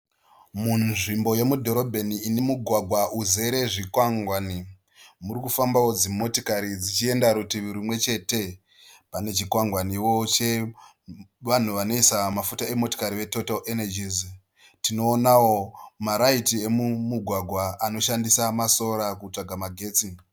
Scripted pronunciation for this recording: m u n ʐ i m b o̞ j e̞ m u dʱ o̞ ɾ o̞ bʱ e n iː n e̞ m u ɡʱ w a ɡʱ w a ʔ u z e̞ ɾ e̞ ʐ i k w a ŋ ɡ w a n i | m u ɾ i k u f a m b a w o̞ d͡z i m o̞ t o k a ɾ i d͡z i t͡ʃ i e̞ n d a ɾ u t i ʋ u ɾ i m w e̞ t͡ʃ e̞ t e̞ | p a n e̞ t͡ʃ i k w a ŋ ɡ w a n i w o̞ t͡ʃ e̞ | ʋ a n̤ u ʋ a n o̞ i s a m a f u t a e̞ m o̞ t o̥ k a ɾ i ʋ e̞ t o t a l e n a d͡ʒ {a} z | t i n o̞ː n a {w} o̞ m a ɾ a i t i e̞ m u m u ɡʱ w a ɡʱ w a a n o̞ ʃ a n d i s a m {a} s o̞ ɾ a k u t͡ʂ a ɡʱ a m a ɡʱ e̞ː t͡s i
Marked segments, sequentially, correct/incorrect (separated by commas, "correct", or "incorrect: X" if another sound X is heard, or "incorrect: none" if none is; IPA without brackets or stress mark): incorrect: i, correct, correct